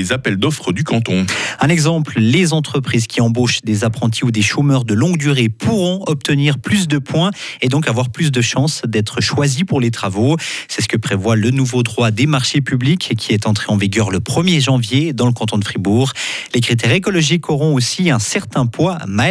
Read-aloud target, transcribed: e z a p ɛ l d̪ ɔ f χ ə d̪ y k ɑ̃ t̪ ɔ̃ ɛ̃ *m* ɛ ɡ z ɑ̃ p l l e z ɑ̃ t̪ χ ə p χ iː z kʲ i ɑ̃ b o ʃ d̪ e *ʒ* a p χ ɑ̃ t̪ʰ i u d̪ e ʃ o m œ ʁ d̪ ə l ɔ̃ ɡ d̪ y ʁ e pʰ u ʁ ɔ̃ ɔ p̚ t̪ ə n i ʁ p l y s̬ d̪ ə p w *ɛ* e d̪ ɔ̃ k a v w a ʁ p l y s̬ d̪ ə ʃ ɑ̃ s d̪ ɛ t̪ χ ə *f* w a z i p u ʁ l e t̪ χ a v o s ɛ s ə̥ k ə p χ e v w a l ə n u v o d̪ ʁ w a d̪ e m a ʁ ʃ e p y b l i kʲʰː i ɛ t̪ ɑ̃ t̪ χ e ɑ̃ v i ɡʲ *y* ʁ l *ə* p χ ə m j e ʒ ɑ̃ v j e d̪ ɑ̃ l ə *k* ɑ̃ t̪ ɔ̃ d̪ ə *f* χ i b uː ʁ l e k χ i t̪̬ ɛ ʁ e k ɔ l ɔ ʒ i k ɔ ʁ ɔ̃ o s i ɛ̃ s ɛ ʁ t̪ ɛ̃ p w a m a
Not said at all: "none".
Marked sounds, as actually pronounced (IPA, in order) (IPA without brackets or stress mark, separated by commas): n, z, ɛ̃, ʃ, œ, ə, k, f